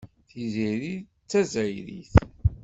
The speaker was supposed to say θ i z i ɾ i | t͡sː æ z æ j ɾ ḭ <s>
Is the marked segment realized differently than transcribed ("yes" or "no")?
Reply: yes